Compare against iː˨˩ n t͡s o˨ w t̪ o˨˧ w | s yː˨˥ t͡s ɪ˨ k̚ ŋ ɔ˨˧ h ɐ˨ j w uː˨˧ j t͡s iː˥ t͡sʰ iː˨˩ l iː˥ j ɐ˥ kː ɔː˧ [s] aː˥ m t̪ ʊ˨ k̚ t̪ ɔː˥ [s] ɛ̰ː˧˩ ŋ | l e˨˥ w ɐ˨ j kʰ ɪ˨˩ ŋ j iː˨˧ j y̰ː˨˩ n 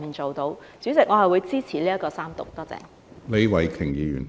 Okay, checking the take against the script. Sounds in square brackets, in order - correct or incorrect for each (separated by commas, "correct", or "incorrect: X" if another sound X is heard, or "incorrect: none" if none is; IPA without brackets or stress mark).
correct, incorrect: t͡s